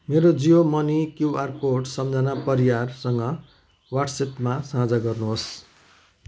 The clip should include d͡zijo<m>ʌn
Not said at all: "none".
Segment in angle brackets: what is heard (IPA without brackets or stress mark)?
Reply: m